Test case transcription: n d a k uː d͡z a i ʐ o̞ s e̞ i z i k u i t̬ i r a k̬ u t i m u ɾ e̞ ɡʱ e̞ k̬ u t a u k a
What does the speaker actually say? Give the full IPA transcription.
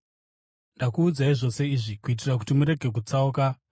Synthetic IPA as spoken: n d a k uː d͡z a i ʐ o̞ s e̞ i ʐ i k u i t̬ i r a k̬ u t i m u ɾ e̞ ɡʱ e̞ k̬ u t͡s a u k a